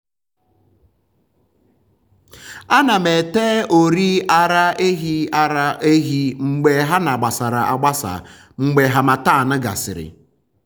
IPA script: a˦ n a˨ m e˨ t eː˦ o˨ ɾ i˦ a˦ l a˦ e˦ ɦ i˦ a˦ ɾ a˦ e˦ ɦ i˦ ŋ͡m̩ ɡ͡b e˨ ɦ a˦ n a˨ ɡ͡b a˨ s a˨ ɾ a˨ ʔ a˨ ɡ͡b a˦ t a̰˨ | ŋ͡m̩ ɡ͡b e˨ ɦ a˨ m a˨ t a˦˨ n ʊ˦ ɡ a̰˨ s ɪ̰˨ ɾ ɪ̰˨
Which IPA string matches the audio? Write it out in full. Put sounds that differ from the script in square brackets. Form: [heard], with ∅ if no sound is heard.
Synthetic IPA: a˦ n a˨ m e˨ t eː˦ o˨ ɾ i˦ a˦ [ɾ] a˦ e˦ ɦ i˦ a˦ ɾ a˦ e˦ ɦ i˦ ŋ͡m̩ ɡ͡b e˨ ɦ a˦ n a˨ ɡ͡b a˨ s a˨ ɾ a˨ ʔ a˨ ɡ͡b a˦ [s] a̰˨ | ŋ͡m̩ ɡ͡b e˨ ɦ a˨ m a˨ t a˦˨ n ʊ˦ ɡ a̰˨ s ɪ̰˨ ɾ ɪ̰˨

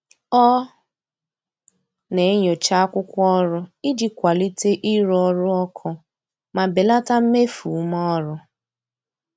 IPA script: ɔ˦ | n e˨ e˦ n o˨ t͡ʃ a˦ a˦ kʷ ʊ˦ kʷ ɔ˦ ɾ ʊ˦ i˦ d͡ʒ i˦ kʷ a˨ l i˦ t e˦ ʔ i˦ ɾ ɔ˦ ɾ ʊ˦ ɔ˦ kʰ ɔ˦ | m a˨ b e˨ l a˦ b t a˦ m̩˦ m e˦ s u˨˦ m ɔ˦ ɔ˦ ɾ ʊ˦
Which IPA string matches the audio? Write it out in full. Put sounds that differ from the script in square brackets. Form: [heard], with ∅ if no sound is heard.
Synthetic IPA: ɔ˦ | n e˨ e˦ [ɲ] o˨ t͡ʃ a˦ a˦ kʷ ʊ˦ kʷ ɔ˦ ɾ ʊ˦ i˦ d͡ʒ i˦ kʷ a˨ l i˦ t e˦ ʔ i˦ ɾ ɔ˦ ɾ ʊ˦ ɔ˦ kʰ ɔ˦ | m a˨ b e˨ l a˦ [∅] t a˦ m̩˦ m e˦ [f] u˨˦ m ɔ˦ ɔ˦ ɾ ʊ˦

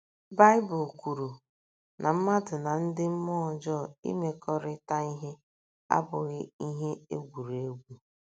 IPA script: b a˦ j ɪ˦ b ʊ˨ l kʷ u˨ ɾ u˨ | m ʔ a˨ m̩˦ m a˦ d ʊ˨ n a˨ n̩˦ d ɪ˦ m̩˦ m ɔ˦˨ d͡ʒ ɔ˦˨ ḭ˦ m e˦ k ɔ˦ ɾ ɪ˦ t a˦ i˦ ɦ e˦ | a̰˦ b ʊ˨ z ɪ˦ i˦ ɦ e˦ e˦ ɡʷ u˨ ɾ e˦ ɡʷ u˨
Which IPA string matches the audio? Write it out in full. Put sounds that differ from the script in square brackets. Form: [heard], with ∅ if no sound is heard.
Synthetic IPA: b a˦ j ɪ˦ b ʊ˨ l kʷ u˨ ɾ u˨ | [n] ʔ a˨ m̩˦ m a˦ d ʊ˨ n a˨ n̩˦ d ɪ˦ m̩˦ m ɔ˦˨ d͡ʒ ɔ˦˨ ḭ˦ m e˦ k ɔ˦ ɾ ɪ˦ t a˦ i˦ ɦ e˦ | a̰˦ b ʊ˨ [ɣ] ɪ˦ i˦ ɦ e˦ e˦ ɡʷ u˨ ɾ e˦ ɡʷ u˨

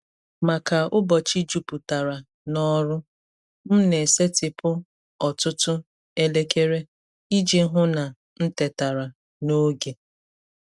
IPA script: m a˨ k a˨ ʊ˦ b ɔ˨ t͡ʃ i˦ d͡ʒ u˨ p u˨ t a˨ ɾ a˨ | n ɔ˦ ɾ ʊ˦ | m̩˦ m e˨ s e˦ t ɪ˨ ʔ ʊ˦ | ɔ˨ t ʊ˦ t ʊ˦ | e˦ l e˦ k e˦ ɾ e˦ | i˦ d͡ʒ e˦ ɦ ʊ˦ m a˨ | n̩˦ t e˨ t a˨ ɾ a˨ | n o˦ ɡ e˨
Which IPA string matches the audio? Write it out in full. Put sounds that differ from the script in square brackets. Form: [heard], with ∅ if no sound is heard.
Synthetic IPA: m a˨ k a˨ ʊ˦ b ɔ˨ t͡ʃ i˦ d͡ʒ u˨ p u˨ t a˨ ɾ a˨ | n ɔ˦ ɾ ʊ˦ | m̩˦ [n] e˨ s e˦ t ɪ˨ [p] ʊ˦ | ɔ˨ t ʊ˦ t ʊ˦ | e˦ l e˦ k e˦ ɾ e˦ | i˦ d͡ʒ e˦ ɦ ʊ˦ [n] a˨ | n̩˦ t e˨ t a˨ ɾ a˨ | n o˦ ɡ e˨

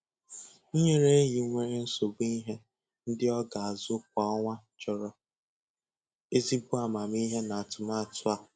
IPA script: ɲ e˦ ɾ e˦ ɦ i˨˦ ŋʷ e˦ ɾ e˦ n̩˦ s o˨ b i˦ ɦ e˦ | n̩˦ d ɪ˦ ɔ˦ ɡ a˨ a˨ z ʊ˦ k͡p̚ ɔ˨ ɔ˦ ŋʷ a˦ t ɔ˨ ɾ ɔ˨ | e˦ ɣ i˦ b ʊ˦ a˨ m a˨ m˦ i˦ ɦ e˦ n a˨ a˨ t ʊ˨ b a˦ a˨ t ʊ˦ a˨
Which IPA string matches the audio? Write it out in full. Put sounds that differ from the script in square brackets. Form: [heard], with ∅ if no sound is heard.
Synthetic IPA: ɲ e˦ ɾ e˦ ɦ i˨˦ ŋʷ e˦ ɾ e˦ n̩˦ s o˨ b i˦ ɦ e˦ | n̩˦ d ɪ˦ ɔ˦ ɡ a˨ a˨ z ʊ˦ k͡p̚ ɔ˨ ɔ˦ ŋʷ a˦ [t͡ʃ] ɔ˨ ɾ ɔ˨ | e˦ [z] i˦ b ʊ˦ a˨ m a˨ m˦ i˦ ɦ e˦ n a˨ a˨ t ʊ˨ [m] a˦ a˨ t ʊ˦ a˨

